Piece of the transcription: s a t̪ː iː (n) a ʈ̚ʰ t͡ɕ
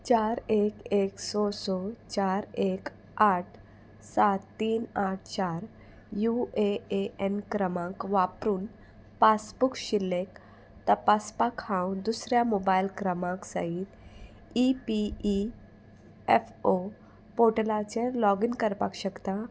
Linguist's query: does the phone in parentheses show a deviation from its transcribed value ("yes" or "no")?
no